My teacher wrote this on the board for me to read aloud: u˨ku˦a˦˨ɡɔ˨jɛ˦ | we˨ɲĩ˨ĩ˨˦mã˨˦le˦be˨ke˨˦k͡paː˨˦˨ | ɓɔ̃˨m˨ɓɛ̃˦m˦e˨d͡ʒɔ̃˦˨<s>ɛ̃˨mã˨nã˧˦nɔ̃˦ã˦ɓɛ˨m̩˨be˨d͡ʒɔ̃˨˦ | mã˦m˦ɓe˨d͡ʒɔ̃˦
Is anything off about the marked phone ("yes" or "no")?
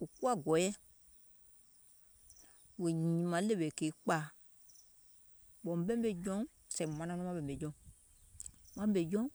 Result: no